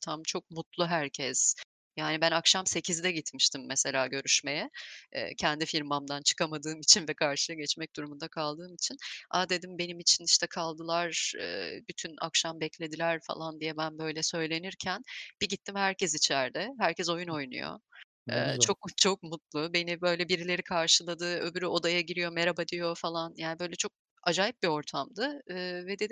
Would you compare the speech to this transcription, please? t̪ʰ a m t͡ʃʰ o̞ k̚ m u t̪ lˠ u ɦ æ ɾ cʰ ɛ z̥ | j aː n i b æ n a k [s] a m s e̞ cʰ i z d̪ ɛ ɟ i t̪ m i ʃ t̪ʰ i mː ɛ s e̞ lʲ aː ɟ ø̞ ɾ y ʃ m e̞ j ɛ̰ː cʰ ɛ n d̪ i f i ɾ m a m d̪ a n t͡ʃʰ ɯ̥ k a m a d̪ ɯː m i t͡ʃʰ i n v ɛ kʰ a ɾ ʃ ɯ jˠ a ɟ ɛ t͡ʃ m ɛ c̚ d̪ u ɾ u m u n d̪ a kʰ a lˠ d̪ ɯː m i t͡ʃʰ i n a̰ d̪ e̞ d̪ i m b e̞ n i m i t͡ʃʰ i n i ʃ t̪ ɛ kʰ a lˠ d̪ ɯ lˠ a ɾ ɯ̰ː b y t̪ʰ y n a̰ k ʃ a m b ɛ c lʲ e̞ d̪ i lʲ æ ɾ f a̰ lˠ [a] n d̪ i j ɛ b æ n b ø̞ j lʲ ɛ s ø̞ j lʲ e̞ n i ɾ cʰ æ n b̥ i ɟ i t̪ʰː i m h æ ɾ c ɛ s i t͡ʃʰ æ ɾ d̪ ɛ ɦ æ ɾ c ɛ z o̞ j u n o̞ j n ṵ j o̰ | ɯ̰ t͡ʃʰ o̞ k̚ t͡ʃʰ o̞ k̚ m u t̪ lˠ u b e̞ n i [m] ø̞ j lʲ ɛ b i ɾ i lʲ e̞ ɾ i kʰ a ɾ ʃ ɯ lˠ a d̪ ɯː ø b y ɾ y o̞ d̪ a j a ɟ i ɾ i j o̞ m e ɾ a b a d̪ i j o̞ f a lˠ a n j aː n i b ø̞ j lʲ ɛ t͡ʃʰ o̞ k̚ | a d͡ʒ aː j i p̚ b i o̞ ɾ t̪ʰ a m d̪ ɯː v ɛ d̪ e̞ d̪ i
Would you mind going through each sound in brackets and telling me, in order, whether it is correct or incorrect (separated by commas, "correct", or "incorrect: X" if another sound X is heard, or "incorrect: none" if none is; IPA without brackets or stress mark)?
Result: incorrect: ʃ, correct, incorrect: b